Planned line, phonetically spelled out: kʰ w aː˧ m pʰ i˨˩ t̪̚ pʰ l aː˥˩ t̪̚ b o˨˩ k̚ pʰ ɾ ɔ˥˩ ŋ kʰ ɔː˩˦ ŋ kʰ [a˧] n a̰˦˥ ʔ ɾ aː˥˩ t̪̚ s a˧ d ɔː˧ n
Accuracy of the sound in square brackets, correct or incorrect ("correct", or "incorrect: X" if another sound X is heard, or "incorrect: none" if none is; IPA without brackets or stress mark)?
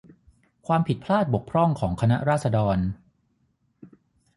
correct